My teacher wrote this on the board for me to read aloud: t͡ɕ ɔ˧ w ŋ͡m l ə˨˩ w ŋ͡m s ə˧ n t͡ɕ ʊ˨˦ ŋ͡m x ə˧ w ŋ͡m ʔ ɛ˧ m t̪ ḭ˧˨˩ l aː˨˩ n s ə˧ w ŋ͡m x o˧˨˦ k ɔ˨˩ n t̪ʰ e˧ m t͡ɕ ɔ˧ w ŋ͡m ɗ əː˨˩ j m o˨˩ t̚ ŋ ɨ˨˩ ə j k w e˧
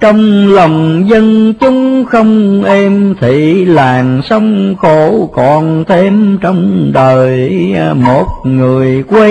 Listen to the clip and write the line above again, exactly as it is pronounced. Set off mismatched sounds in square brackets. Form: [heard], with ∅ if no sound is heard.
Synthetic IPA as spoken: t͡ɕ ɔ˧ w ŋ͡m l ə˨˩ w ŋ͡m [z] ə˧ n t͡ɕ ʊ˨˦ ŋ͡m x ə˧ w ŋ͡m ʔ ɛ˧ m [t̪ʰ] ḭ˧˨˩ l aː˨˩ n s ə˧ w ŋ͡m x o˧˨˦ k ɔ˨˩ n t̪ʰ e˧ m t͡ɕ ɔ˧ w ŋ͡m ɗ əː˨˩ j m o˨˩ t̚ ŋ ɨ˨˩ ə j k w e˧

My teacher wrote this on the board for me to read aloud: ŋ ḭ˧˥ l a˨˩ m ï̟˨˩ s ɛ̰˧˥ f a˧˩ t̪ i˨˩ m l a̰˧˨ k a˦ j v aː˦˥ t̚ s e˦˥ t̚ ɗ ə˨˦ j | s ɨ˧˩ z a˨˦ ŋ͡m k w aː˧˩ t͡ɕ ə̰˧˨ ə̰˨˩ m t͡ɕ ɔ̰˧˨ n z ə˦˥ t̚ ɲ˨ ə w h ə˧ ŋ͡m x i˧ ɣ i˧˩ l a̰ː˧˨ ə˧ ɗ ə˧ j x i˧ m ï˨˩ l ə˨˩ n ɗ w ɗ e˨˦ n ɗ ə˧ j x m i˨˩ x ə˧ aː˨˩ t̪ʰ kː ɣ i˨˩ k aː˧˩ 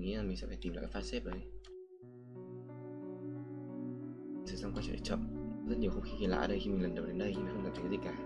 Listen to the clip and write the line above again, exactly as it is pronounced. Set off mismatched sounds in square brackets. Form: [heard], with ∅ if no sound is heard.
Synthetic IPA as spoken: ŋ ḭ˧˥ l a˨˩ m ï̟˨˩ s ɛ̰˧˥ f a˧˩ t̪ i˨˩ m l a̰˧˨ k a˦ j [f] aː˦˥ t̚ s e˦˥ [p̚] ɗ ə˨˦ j | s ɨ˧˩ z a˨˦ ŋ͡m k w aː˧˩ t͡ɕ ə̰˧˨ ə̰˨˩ [∅] t͡ɕ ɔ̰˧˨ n z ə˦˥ t̚ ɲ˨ ə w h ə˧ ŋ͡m x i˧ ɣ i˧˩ l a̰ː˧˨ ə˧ ɗ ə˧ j x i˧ m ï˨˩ l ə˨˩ n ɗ w ɗ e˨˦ n ɗ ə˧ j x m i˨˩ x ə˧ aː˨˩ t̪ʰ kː [z] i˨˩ k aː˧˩

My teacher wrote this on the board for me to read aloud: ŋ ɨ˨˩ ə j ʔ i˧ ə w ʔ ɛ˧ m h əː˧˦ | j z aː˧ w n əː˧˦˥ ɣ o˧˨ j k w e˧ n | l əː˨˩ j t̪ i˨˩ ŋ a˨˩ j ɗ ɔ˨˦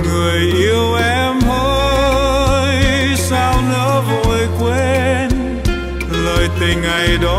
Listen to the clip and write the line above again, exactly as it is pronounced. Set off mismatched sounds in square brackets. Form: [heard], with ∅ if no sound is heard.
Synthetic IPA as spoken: ŋ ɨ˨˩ ə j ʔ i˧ ə w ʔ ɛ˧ m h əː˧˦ | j [s] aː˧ w n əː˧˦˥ [v] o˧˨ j k w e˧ n | l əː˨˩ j t̪ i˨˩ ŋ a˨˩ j ɗ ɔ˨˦

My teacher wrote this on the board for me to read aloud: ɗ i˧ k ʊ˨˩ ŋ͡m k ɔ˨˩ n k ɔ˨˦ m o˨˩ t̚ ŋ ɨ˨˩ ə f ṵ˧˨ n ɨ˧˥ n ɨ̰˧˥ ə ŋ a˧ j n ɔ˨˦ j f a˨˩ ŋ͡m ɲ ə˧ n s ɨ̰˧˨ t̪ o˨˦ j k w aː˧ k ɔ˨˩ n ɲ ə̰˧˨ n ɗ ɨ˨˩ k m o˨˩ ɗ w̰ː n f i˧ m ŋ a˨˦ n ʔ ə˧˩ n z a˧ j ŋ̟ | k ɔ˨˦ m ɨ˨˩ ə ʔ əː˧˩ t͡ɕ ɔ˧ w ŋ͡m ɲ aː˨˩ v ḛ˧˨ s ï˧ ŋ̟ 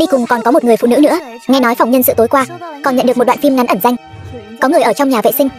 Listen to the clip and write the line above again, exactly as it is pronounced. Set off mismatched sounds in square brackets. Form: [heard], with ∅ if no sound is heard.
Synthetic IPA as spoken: ɗ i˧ k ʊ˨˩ ŋ͡m k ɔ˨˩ n k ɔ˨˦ m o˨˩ t̚ ŋ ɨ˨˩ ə f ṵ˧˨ n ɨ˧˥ n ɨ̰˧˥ ə ŋ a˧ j n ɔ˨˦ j f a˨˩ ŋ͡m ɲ ə˧ n s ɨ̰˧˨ t̪ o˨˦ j k w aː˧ k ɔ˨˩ n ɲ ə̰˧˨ n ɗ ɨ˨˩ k m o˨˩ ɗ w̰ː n f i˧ m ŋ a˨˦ n ʔ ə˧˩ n z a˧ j ŋ̟ | k ɔ˨˦ [ŋ] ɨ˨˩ ə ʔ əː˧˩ t͡ɕ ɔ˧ w ŋ͡m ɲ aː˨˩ v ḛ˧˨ s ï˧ ŋ̟

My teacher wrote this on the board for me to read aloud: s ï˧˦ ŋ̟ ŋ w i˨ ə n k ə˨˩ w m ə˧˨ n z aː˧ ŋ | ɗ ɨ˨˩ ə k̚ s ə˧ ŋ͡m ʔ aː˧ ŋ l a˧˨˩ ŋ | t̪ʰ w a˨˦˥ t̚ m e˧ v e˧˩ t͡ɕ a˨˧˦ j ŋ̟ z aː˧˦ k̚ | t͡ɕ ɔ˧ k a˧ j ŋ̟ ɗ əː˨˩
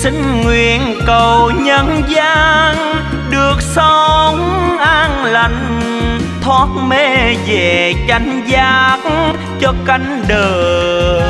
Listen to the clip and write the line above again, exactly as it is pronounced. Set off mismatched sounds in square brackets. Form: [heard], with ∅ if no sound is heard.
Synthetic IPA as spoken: s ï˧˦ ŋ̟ ŋ w i˨ ə n k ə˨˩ w [ɲ] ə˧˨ n z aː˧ ŋ | ɗ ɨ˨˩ ə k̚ s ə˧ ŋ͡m ʔ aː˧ ŋ l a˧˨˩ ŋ | t̪ʰ w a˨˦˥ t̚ m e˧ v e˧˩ t͡ɕ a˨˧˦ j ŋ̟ z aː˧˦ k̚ | t͡ɕ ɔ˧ k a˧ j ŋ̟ ɗ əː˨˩

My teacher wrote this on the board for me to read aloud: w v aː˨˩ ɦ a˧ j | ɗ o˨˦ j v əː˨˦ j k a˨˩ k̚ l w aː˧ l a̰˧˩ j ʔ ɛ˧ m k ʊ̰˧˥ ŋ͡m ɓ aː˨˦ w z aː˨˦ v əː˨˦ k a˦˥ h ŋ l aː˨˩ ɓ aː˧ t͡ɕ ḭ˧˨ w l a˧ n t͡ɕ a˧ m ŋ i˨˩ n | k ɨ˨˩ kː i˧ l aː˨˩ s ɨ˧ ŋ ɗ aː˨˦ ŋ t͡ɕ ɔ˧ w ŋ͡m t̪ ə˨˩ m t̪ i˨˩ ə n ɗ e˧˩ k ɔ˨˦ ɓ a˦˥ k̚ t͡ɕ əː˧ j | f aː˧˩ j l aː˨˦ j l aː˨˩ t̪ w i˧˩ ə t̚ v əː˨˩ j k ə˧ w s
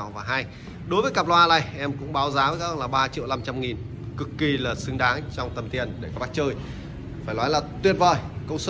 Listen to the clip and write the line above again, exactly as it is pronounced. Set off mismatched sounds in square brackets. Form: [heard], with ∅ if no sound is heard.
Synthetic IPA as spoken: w v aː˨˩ ɦ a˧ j | ɗ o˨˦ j v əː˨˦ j k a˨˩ [p̚] l w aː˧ l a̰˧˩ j ʔ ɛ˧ m k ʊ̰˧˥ ŋ͡m ɓ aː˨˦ w z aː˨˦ v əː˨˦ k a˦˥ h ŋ l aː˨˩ ɓ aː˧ t͡ɕ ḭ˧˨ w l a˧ [m] t͡ɕ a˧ m ŋ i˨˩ n | k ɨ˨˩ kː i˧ l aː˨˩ s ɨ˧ ŋ ɗ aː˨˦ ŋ t͡ɕ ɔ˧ w ŋ͡m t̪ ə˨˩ m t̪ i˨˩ ə n ɗ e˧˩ k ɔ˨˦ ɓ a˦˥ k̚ t͡ɕ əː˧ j | f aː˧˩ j l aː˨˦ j l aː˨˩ t̪ w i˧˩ ə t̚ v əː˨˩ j k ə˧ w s

